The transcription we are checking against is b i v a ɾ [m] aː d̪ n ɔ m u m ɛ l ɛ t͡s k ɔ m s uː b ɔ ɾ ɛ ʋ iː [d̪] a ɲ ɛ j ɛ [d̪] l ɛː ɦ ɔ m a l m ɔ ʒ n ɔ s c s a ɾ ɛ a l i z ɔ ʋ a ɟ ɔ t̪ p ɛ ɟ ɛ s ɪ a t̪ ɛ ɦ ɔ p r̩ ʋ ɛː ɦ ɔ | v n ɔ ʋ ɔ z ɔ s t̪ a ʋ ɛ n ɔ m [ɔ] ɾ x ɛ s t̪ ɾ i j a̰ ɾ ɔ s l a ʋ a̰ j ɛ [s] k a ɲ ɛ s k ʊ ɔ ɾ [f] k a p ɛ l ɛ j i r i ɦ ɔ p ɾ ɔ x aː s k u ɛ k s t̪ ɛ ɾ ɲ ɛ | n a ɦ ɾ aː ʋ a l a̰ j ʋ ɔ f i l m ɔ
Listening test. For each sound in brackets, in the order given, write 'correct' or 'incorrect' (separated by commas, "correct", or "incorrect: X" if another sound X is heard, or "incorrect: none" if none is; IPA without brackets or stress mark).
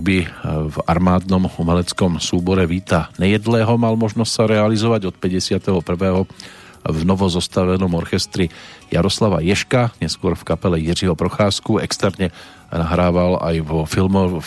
correct, incorrect: t̪, correct, correct, incorrect: ʃ, correct